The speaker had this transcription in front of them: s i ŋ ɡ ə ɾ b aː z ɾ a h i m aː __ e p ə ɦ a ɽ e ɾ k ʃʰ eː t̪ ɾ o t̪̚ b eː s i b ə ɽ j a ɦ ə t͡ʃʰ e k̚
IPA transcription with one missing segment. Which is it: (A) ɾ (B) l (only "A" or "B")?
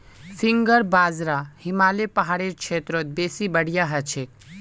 B